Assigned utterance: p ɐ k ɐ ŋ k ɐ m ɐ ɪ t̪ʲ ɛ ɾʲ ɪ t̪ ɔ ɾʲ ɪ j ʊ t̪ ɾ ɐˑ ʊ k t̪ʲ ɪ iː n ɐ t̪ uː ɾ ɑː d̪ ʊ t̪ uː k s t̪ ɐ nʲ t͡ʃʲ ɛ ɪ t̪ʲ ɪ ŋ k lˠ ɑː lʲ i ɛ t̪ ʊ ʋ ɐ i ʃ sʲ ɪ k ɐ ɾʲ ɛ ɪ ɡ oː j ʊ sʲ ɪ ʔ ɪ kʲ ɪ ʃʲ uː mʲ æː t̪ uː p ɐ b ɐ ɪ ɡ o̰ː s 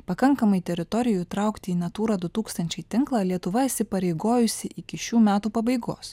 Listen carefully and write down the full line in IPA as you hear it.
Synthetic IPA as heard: p ɐ k ɐ ŋ k ɐ m ɐ ɪ t̪ʲ ɛ ɾʲ ɪ t̪ ɔ ɾʲ ɪ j ʊ t̪ ɾ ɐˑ ʊ k t̪ʲ ɪ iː n ɐ t̪ uː ɾ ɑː d̪ ʊ t̪ uː k s t̪ ɐ nʲ t͡ʃʲ ɛ ɪ t̪ʲ ɪ ŋ k lˠ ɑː lʲ i ɛ t̪ ʊ ʋ ɐ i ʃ sʲ ɪ p ɐ ɾʲ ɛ ɪ ɡ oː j ʊ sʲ ɪ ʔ ɪ kʲ ɪ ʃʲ uː mʲ æː t̪ uː p ɐ b ɐ ɪ ɡ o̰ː s